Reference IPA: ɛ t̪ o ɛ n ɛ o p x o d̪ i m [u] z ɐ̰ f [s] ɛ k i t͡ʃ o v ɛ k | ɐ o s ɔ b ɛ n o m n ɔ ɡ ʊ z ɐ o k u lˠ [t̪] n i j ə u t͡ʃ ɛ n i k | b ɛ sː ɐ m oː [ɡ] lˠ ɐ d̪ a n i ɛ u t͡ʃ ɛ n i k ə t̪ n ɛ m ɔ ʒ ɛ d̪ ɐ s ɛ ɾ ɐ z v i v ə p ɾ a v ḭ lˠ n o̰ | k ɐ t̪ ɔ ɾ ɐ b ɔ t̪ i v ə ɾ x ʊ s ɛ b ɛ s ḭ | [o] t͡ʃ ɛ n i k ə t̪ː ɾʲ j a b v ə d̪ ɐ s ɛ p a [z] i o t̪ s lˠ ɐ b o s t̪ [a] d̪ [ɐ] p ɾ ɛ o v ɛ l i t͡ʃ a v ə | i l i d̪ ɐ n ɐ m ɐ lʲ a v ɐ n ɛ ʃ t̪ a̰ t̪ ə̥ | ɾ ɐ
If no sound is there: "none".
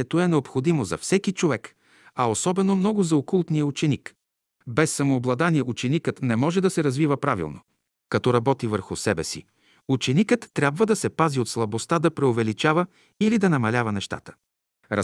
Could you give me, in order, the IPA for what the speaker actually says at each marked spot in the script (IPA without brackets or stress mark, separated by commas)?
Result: o, s, t̪, b, u, z, a, ɐ